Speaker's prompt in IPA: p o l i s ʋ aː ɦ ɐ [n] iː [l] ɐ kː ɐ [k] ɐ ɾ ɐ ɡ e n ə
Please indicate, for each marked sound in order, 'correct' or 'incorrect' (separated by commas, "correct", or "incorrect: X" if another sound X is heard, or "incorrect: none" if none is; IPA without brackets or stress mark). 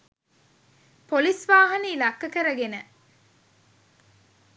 correct, correct, correct